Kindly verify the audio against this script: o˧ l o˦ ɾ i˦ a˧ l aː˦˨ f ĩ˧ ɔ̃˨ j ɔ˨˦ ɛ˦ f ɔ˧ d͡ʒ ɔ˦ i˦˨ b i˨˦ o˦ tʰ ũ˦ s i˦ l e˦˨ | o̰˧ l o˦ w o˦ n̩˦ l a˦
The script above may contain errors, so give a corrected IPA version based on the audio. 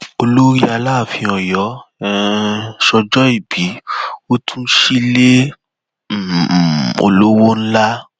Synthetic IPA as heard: o˧ l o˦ ɾ i˦ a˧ l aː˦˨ f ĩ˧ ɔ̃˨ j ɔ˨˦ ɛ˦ ʃ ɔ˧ d͡ʒ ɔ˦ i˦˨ b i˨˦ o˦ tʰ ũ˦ ʃ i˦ l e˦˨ | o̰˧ l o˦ w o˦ n̩˦ l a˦